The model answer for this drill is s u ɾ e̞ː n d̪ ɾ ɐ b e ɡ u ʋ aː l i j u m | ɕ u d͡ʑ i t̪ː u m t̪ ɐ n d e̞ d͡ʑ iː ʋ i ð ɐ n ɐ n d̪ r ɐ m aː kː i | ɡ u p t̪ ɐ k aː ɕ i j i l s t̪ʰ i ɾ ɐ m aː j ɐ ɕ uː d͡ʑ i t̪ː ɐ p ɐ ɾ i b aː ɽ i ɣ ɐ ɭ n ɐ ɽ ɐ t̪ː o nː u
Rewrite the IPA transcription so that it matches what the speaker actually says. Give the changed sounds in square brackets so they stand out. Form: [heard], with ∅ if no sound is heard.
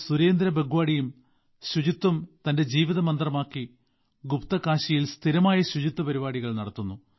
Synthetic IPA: s u ɾ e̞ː n d̪ ɾ ɐ b e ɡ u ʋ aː [ɽ] i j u m | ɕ u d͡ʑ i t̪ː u m t̪ ɐ n d e̞ d͡ʑ iː ʋ i ð ɐ [m] ɐ n d̪ r ɐ m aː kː i | ɡ u p t̪ ɐ k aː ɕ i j i l s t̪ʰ i ɾ ɐ m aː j ɐ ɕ [u] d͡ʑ i t̪ː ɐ p ɐ ɾ i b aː ɽ i ɣ ɐ ɭ n ɐ ɽ ɐ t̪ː [u] nː u